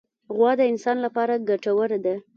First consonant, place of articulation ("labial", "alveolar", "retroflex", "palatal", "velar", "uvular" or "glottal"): velar